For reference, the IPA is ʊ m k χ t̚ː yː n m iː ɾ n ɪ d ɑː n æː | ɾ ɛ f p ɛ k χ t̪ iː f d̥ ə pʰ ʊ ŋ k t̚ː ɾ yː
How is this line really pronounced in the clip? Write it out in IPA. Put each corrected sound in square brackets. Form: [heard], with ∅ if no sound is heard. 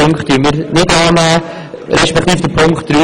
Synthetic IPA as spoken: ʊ [ŋ] k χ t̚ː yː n m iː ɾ n ɪ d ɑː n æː | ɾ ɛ [ʃ] p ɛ k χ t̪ iː f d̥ ə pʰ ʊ ŋ k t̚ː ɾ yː